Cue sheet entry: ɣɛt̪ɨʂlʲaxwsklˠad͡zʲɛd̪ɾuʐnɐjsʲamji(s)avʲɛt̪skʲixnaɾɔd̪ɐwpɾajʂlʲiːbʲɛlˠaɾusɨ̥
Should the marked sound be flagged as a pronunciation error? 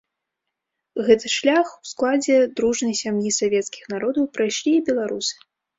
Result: no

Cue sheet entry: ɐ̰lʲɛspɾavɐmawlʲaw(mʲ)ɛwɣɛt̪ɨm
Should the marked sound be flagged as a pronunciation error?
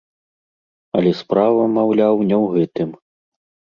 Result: yes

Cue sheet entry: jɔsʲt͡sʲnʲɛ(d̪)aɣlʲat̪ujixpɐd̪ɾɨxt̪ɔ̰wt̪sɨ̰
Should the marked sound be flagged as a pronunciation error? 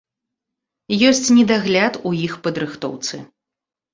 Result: no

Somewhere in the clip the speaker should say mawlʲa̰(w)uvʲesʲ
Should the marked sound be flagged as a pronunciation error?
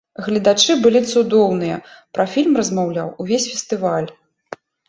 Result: no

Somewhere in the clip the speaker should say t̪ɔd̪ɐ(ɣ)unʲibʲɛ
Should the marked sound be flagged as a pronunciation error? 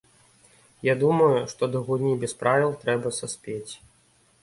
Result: no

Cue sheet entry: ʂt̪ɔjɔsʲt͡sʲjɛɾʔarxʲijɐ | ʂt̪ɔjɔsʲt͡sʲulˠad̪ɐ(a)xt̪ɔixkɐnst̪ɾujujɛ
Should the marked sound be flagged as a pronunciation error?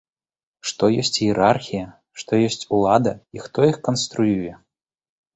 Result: yes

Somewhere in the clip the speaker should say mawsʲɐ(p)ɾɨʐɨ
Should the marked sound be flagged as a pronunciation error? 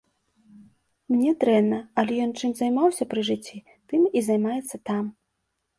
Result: no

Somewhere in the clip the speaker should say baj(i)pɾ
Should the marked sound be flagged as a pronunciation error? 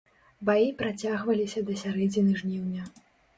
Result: no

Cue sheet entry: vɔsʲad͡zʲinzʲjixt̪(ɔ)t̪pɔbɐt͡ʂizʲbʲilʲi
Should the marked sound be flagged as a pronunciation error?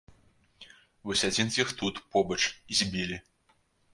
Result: yes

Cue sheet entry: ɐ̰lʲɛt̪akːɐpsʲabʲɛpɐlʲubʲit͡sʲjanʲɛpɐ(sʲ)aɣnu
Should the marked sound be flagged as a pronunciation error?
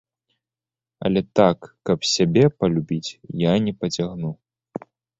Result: yes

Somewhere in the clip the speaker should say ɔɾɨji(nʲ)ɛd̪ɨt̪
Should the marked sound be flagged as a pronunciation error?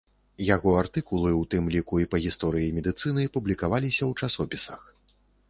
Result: yes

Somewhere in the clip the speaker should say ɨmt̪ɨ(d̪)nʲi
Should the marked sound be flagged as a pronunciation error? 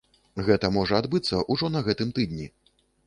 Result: no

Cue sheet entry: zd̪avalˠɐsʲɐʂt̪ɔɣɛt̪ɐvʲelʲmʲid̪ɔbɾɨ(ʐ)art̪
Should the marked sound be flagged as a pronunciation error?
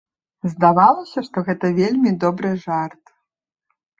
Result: no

